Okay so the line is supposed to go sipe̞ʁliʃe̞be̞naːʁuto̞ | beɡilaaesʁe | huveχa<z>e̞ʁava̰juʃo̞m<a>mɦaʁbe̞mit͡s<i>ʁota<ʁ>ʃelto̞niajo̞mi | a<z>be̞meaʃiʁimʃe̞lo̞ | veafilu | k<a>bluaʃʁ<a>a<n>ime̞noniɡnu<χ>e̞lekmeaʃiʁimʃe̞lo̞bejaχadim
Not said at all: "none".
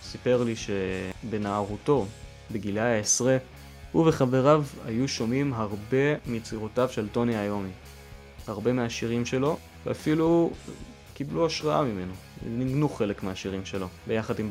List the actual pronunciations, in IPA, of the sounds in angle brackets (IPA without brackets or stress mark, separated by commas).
v, i, i, v, ʁ, i, a, m, χ